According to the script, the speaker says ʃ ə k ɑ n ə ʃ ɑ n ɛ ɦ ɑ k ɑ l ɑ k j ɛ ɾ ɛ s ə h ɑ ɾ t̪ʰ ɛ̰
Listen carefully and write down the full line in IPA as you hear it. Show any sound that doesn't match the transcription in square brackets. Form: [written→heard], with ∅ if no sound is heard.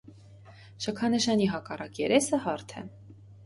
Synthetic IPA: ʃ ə [k→kʰ] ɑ n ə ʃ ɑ n [ɛ→i] ɦ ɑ k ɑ [l→r] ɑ k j ɛ ɾ ɛ s ə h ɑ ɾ t̪ʰ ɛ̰